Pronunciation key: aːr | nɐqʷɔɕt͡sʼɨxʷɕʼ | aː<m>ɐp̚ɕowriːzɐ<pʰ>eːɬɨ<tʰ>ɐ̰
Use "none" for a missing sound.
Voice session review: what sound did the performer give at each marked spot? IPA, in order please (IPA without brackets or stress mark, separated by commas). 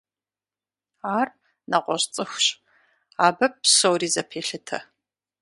b, pʰ, tʰ